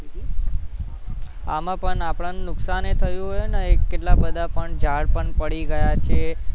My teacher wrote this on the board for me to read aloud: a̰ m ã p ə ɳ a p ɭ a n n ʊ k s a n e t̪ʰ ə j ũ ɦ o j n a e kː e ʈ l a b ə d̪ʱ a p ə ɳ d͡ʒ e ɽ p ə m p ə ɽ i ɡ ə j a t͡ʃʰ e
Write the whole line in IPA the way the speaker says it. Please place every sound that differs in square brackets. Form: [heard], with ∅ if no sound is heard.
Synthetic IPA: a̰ m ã p ə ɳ a p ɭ a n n ʊ k s a n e t̪ʰ ə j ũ ɦ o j n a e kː e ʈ l a b ə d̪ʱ a p ə ɳ d͡ʒ [a] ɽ p ə [ɳ] p ə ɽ i ɡ ə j a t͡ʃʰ e